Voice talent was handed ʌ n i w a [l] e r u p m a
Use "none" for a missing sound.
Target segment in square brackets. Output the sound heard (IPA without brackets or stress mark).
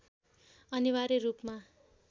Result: ɾ